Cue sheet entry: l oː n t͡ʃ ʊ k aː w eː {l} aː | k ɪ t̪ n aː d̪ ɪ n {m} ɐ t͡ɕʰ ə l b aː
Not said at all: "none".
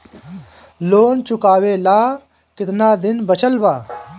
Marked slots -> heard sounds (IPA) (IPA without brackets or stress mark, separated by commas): l, b